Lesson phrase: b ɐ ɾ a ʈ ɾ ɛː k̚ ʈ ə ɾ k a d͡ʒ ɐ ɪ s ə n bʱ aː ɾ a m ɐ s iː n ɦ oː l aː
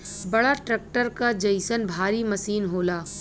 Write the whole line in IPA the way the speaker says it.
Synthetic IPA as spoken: b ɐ ɽ a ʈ ɾ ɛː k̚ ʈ ə ɾ k a d͡ʒ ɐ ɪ s ə n bʱ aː ɾ i m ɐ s iː n ɦ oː l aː